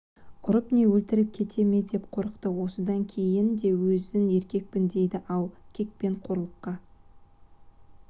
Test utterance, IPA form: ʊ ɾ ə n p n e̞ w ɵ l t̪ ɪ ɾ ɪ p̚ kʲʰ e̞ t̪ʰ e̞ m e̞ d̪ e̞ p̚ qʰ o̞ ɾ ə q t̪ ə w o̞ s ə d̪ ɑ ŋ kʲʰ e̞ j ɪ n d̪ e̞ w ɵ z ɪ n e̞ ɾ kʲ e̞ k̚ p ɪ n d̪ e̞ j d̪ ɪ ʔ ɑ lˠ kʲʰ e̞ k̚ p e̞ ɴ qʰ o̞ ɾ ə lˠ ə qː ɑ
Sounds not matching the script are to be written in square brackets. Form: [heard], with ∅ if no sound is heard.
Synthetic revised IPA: ʊ ɾ ə [∅] p n e̞ w ɵ l t̪ ɪ ɾ ɪ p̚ kʲʰ e̞ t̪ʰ e̞ m e̞ d̪ e̞ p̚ qʰ o̞ ɾ ə q t̪ ə w o̞ s ə d̪ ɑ ŋ kʲʰ e̞ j ɪ n d̪ e̞ w ɵ z ɪ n e̞ ɾ kʲ e̞ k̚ p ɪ n d̪ e̞ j d̪ ɪ ʔ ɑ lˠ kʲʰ e̞ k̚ p e̞ ɴ qʰ o̞ ɾ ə lˠ ə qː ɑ

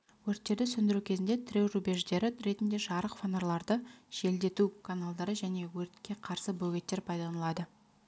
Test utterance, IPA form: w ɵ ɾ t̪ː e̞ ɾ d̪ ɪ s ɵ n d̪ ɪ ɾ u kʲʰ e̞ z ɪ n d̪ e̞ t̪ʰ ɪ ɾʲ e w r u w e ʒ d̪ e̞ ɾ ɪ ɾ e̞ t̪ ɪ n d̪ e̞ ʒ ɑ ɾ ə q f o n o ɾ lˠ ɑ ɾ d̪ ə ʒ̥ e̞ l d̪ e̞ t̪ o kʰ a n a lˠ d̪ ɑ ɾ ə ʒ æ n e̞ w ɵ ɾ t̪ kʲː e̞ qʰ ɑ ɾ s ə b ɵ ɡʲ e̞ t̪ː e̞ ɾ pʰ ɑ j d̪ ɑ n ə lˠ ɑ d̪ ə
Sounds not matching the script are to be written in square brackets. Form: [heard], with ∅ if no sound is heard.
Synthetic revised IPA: w ɵ ɾ t̪ː e̞ ɾ d̪ ɪ s ɵ n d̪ ɪ ɾ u kʲʰ e̞ z ɪ n d̪ e̞ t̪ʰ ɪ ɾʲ e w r u [b] e ʒ d̪ e̞ ɾ ɪ ɾ e̞ t̪ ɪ n d̪ e̞ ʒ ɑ ɾ ə q f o n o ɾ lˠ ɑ ɾ d̪ ə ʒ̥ e̞ l d̪ e̞ t̪ [u] kʰ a n a lˠ d̪ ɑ ɾ ə ʒ æ n e̞ w ɵ ɾ t̪ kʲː e̞ qʰ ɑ ɾ s ə b ɵ ɡʲ e̞ t̪ː e̞ ɾ pʰ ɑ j d̪ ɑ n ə lˠ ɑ d̪ ə

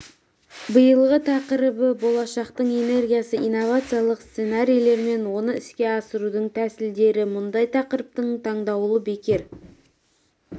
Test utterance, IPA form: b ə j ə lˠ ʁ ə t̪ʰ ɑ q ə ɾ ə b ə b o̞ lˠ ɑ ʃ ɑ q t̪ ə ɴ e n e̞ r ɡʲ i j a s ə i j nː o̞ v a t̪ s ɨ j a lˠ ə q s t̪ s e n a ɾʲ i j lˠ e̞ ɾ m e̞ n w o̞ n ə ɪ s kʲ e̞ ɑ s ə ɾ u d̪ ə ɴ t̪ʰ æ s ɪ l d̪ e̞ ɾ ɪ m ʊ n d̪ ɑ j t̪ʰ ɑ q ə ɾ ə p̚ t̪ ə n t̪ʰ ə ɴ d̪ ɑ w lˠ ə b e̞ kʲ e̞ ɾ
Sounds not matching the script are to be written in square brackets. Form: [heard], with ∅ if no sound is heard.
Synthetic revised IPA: b ə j ə lˠ ʁ ə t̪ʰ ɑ q ə ɾ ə b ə b o̞ lˠ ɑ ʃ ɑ q t̪ ə ɴ e n e̞ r ɡʲ i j a s ə i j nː o̞ v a t̪ s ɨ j a lˠ ə q s t̪ s e n a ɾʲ i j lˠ e̞ ɾ m e̞ n w o̞ n ə ɪ s kʲ e̞ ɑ s ə ɾ u d̪ ə ɴ t̪ʰ æ s ɪ l d̪ e̞ ɾ ɪ m ʊ n d̪ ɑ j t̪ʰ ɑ q ə ɾ ə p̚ t̪ ə [ɴ] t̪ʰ [ɑ] ɴ d̪ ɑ w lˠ ə b e̞ kʲ e̞ ɾ

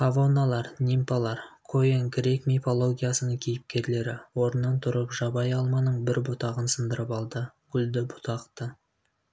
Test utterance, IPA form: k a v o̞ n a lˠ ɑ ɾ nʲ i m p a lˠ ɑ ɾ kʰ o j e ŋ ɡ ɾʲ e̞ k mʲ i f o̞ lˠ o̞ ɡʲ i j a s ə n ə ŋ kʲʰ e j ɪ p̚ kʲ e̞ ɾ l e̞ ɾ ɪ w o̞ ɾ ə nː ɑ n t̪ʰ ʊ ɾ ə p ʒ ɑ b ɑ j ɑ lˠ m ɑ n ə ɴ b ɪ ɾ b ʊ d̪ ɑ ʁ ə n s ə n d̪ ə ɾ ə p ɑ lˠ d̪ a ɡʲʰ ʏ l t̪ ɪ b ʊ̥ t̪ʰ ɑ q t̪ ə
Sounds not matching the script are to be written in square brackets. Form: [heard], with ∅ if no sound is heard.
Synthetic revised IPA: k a v o̞ n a lˠ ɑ ɾ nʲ i m p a lˠ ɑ ɾ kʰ o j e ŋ ɡ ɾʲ e̞ k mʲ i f o̞ lˠ o̞ ɡʲ i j a s ə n ə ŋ kʲʰ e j ɪ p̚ kʲ e̞ ɾ l e̞ ɾ ɪ w o̞ ɾ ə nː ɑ n t̪ʰ ʊ ɾ ə p ʒ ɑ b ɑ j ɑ lˠ m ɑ n ə ɴ b ɪ ɾ b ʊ [t̪] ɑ ʁ ə n s ə n d̪ ə ɾ ə p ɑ lˠ d̪ [ə] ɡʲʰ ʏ l [d̪] ɪ b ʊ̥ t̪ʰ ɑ q t̪ ə

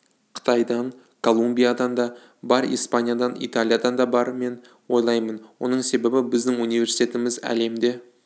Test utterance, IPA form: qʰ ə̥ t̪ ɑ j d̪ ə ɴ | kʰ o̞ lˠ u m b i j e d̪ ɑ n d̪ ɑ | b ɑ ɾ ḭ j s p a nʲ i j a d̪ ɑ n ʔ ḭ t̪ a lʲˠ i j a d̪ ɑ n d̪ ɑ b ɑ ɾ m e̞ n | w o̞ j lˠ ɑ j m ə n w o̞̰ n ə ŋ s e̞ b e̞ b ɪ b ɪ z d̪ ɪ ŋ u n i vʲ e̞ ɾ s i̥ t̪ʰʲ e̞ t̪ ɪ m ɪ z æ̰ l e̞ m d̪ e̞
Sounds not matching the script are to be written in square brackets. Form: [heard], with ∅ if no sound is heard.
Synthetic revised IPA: qʰ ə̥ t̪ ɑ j d̪ [ɑ] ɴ | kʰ o̞ lˠ u m b i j [a] d̪ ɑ n d̪ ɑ | b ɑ ɾ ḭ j s p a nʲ i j a d̪ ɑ n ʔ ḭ t̪ a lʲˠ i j a d̪ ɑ n d̪ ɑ b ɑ ɾ m e̞ n | w o̞ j lˠ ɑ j m ə n w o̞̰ n ə [ɴ] s e̞ b e̞ b ɪ b ɪ z d̪ ɪ ŋ u n i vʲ e̞ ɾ s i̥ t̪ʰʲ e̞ t̪ ɪ m ɪ z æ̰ l e̞ m d̪ e̞

